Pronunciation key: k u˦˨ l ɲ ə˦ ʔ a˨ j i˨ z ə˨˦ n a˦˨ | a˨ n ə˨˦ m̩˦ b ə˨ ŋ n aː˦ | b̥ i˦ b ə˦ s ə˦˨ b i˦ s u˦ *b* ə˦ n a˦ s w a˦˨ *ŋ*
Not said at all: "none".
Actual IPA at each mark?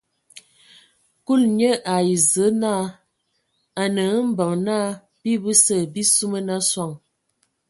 m, ŋ

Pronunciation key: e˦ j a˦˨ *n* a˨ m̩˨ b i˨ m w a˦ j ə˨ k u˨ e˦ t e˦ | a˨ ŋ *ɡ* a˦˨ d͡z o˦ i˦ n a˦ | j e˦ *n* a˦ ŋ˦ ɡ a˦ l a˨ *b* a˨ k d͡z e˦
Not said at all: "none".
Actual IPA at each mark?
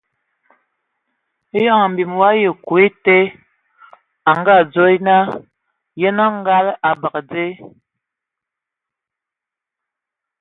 ŋ, ɡ, n, b

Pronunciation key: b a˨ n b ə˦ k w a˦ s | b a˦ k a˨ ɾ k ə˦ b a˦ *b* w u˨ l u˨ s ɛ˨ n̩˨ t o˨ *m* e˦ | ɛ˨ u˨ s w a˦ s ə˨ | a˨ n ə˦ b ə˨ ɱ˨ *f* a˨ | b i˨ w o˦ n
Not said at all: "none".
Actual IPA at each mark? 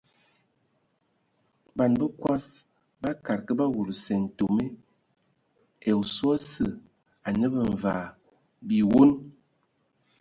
none, m, v

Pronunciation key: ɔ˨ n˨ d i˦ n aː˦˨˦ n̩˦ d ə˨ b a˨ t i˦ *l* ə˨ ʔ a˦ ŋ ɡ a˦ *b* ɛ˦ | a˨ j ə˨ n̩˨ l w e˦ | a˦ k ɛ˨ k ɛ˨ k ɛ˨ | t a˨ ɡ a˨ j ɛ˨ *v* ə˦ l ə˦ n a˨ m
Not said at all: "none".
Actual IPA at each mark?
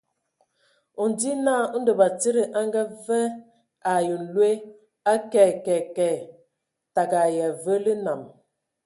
ɾ, v, v

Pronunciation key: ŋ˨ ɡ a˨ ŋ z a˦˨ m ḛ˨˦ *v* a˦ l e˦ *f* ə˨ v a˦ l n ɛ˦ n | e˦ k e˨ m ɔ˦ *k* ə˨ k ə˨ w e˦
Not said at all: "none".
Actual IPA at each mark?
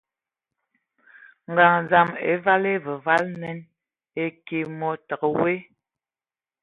v, v, t

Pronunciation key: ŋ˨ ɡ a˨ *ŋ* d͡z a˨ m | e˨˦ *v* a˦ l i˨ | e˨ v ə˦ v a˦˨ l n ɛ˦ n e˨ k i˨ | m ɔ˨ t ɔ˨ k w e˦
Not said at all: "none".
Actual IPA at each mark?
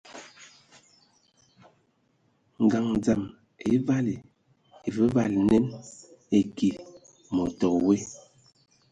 ŋ, v

